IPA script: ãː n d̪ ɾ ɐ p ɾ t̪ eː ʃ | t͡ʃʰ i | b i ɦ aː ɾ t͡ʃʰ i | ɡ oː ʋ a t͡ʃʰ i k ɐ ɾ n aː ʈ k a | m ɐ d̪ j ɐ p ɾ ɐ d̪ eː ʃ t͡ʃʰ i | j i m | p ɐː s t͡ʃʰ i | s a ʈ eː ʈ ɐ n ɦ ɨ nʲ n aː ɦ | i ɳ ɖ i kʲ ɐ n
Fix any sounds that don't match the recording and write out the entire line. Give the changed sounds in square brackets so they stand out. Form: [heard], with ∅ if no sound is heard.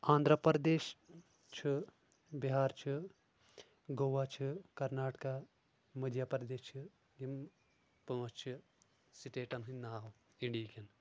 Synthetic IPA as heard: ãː n d̪ ɾ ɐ p ɾ [d̪] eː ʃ | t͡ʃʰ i | b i ɦ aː ɾ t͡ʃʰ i | ɡ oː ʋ a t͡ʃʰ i k ɐ ɾ n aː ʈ k a | m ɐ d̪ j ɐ p ɾ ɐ d̪ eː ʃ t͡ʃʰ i | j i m | p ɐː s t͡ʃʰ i | s [i] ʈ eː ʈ ɐ n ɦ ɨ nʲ n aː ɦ | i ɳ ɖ i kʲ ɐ n